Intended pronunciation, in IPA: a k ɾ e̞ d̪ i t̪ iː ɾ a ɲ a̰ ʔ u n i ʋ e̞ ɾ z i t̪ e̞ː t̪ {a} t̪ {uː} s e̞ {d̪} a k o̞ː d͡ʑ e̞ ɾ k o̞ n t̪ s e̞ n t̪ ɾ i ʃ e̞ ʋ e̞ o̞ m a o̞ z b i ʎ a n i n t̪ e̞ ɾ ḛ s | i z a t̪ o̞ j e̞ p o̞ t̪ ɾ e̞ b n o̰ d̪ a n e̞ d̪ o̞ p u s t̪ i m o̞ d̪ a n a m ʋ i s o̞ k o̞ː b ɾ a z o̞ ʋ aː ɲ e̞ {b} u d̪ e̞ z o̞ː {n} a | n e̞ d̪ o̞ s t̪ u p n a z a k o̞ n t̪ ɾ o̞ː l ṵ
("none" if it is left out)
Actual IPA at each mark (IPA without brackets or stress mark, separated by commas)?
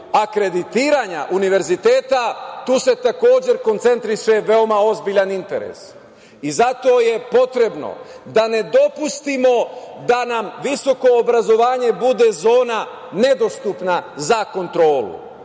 a, uː, t̪, b, n